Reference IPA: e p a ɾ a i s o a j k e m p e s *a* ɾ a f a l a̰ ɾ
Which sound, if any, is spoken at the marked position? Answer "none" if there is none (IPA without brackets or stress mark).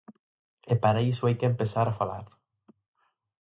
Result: a